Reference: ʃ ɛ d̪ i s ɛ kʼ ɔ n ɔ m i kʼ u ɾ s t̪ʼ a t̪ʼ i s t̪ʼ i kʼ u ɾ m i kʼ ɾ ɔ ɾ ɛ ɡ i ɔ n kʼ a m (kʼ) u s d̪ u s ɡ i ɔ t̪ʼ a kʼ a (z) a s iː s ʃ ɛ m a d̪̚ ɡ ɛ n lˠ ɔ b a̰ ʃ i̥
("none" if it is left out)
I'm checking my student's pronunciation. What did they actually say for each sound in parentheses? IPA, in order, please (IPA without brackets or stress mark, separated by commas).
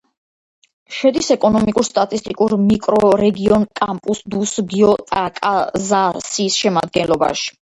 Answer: pʼ, z